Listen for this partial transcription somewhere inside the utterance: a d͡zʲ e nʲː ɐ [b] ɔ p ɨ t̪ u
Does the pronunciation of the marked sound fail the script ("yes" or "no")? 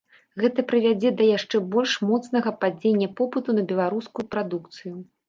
yes